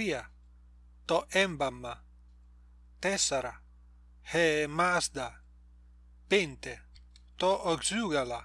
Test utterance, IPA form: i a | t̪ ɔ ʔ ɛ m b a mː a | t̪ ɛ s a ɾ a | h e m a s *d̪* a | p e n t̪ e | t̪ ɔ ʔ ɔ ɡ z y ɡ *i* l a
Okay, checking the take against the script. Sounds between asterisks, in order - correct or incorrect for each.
correct, incorrect

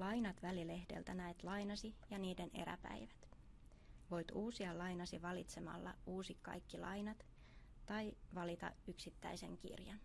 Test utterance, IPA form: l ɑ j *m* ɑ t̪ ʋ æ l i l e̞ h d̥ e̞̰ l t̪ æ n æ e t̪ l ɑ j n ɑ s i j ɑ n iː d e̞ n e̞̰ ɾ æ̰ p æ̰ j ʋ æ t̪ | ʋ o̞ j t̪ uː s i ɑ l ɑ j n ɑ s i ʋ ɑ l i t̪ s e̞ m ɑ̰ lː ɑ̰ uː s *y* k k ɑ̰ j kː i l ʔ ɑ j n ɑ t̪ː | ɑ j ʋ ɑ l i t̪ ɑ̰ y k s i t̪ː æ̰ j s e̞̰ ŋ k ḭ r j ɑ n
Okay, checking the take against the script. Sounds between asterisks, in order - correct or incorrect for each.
incorrect, incorrect

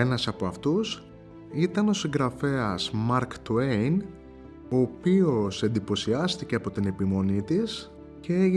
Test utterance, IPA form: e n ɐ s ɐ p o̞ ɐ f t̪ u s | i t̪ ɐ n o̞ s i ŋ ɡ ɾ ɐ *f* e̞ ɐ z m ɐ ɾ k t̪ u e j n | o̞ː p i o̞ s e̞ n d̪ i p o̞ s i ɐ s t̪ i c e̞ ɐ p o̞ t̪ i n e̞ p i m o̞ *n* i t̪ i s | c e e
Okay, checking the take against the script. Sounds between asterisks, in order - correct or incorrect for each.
correct, correct

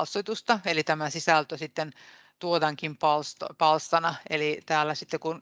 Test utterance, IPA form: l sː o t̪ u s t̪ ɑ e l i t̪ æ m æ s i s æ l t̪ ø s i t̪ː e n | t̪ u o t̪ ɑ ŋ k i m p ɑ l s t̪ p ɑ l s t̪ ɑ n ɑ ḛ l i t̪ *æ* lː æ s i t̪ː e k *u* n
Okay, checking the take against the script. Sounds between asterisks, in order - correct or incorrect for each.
incorrect, correct

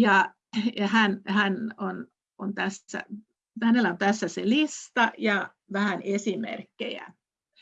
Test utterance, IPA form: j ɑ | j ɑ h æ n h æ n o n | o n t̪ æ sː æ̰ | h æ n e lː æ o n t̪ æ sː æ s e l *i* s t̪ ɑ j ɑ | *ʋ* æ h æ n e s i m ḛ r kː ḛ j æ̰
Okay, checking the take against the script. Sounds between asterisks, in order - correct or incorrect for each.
correct, correct

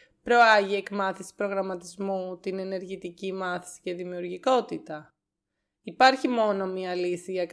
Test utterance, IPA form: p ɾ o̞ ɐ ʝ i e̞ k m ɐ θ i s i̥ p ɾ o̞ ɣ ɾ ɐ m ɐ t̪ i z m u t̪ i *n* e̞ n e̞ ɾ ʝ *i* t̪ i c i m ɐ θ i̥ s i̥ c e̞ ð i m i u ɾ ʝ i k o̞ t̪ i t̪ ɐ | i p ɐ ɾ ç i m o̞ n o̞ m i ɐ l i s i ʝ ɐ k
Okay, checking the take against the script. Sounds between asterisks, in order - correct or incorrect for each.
correct, correct

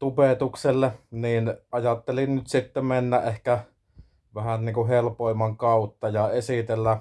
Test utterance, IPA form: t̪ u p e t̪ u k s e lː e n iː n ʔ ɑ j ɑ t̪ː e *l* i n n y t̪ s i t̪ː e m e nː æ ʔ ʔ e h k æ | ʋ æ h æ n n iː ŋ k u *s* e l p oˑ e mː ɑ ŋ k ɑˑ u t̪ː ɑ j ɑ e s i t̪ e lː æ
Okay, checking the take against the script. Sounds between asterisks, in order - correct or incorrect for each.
correct, incorrect

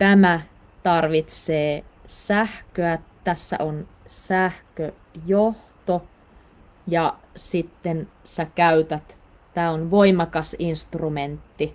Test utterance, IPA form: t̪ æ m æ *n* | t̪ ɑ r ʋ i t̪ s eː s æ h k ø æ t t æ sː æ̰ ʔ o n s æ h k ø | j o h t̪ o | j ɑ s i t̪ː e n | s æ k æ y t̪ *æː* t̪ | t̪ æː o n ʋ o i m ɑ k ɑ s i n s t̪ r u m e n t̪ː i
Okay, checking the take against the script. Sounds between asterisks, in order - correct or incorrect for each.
incorrect, incorrect

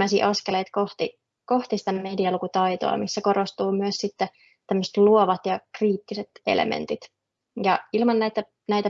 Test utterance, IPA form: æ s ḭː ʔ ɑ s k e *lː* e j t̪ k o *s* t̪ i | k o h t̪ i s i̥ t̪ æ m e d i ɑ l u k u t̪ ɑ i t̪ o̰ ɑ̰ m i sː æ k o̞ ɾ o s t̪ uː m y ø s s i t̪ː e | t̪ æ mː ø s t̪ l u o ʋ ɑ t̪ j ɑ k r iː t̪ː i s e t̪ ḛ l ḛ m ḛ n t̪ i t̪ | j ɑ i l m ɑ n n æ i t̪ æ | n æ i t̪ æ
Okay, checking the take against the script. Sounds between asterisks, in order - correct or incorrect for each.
incorrect, incorrect

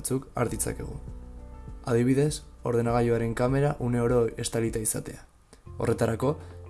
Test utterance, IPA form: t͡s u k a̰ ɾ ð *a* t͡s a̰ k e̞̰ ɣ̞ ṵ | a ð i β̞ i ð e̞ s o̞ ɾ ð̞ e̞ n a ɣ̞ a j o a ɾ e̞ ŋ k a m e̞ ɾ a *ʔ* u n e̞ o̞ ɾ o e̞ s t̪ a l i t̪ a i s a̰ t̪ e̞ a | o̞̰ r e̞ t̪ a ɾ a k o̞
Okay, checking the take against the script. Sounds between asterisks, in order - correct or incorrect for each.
incorrect, correct

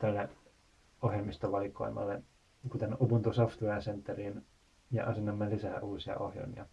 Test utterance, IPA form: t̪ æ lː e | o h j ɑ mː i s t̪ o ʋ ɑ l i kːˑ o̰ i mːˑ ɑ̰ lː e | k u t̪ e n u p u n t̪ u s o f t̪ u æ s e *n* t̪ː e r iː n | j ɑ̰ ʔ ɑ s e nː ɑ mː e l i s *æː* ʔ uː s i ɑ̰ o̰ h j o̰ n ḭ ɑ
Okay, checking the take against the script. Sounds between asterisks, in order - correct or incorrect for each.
correct, correct

